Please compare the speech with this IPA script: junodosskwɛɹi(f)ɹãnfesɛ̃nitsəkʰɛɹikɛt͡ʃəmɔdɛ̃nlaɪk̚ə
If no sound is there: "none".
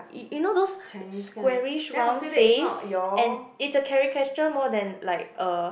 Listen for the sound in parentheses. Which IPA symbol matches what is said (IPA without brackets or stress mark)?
ʃ